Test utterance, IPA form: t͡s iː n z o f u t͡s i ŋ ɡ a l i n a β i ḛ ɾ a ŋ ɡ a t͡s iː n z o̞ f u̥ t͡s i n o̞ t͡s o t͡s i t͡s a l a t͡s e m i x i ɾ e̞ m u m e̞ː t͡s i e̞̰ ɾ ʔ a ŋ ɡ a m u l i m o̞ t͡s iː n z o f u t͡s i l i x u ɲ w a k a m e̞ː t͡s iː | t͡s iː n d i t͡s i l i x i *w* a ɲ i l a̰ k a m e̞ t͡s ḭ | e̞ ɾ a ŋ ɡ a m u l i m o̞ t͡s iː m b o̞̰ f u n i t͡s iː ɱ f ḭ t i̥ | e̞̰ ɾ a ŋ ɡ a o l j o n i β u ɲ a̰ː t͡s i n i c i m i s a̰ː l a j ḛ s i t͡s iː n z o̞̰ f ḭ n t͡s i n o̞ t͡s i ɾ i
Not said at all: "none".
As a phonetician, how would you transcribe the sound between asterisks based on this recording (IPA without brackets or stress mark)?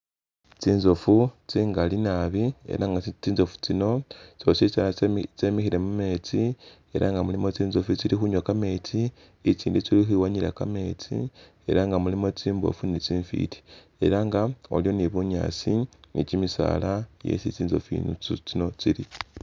w